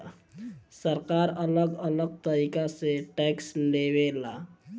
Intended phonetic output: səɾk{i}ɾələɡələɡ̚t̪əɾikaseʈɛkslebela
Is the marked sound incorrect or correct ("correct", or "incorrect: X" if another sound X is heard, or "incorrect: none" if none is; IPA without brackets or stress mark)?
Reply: incorrect: a